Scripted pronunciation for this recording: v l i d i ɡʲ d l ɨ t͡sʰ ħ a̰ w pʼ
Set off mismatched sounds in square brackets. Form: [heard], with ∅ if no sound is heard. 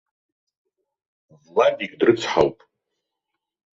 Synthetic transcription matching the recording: v l [a] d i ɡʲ d [r] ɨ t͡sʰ ħ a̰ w pʼ